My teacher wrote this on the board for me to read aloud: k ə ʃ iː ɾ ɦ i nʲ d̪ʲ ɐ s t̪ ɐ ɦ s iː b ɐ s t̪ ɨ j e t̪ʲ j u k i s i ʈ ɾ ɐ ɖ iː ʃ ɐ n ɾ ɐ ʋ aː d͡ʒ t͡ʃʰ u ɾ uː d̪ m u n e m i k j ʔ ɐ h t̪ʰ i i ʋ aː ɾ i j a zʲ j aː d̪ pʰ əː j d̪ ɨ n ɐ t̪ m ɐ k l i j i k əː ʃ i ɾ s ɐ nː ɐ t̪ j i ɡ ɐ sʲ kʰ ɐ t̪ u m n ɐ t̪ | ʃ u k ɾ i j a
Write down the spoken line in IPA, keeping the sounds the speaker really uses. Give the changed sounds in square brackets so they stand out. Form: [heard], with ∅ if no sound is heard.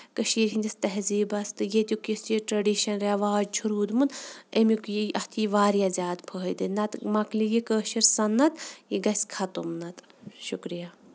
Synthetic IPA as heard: k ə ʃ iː ɾ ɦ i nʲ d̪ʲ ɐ s t̪ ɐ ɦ [z] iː b ɐ s t̪ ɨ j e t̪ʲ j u k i s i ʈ ɾ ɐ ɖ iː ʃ ɐ n ɾ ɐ ʋ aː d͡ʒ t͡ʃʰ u ɾ uː d̪ m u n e m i k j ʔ ɐ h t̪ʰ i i ʋ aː ɾ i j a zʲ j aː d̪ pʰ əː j d̪ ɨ n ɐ t̪ m ɐ k l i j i k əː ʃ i ɾ s ɐ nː ɐ t̪ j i ɡ ɐ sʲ kʰ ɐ t̪ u m n ɐ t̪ | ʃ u k ɾ i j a